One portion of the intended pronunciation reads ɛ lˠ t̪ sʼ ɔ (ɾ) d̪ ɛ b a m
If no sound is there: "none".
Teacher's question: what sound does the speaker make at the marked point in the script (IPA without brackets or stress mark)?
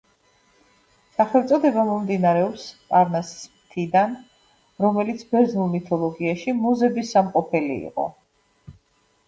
none